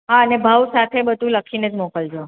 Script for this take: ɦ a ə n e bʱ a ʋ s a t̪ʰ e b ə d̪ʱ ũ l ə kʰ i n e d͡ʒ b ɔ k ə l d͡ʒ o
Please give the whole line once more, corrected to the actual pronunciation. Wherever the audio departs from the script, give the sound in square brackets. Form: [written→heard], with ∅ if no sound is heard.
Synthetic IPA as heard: ɦ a ə n e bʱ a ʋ s a t̪ʰ e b ə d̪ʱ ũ l ə kʰ i n e d͡ʒ [b→m] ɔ k ə l d͡ʒ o